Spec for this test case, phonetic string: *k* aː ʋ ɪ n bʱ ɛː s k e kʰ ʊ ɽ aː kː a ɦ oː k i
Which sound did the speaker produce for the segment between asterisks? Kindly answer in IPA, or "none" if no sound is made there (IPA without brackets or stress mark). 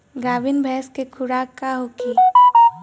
ɡ